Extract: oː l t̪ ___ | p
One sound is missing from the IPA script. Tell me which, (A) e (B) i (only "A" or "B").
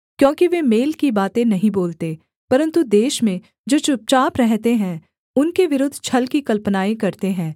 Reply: A